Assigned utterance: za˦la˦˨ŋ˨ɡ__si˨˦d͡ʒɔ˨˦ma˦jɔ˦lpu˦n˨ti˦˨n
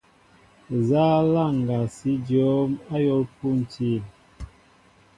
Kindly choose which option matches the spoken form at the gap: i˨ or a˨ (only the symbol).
a˨